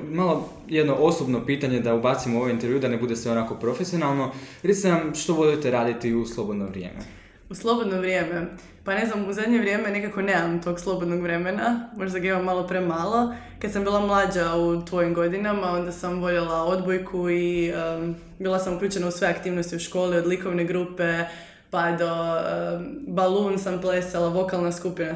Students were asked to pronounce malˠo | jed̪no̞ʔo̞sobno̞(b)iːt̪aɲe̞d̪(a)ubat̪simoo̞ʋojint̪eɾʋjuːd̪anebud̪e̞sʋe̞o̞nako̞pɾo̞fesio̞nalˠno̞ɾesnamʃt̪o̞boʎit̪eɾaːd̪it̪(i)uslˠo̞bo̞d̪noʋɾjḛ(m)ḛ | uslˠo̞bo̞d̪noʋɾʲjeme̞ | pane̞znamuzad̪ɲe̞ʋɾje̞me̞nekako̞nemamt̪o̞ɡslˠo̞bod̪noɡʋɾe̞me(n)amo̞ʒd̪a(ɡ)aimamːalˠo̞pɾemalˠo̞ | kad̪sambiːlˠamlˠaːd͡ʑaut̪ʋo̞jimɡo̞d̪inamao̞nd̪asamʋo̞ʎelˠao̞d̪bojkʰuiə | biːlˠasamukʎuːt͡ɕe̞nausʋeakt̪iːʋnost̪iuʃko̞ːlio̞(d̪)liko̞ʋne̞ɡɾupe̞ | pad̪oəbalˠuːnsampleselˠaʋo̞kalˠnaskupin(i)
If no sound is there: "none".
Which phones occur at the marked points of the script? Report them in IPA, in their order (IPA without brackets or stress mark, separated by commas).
p, a, i, m, n, ɡ, d̪, a